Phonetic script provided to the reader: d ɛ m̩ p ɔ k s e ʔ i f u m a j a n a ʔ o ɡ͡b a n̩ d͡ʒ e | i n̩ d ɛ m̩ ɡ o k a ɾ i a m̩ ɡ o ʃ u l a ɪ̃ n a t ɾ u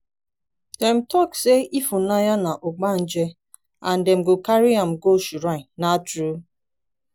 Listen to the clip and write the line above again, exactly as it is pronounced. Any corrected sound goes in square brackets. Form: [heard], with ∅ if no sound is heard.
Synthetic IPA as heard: d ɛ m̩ [t] ɔ k s e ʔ i f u [n] a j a n a ʔ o ɡ͡b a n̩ d͡ʒ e | [a] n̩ d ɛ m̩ ɡ o k a ɾ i a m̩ ɡ o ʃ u [ɾ] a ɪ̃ n a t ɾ u